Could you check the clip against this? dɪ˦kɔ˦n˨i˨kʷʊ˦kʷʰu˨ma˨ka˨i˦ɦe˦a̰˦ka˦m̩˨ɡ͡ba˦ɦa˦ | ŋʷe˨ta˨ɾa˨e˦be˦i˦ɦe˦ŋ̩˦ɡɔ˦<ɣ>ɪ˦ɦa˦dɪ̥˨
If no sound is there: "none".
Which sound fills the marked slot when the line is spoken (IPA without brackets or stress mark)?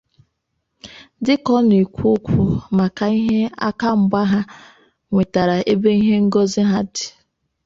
z